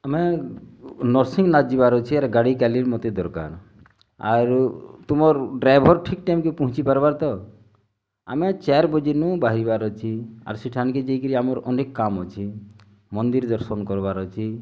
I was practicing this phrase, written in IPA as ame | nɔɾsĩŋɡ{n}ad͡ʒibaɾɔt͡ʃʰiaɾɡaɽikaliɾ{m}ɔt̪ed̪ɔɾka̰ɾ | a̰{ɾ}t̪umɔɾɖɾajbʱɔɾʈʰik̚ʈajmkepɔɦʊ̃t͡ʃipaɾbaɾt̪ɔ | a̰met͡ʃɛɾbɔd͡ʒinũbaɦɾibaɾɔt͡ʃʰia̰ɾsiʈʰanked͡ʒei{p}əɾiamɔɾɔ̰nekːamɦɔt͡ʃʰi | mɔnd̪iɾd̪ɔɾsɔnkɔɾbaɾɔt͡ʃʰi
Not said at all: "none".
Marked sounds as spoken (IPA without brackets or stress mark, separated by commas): n, m, ɾ, k